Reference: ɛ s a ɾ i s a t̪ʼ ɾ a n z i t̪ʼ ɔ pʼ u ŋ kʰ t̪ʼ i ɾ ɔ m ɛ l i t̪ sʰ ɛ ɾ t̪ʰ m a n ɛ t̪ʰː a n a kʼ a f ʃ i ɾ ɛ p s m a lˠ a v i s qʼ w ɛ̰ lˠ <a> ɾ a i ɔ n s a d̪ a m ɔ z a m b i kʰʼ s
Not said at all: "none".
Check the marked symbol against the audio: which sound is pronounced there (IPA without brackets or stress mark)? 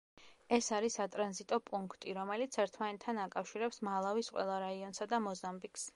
a